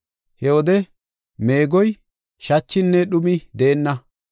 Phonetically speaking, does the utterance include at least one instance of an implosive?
yes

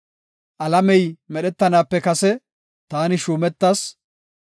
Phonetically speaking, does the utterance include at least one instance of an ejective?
no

